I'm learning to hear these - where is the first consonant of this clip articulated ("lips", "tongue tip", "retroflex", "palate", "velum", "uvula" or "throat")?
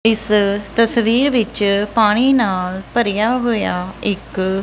tongue tip